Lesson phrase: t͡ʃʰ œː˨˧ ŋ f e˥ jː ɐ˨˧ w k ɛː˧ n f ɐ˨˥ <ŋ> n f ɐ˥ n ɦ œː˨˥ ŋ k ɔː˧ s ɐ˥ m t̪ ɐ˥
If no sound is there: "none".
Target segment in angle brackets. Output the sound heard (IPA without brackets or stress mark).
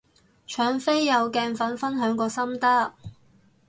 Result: none